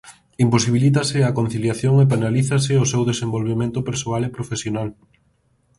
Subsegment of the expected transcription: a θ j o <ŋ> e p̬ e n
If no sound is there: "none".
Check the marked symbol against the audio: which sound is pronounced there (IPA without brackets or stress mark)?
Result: ŋ